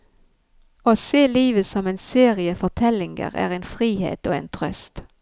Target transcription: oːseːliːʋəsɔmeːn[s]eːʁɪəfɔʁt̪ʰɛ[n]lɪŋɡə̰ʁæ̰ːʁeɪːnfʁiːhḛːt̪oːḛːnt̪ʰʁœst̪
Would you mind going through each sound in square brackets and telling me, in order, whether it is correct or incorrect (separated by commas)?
correct, incorrect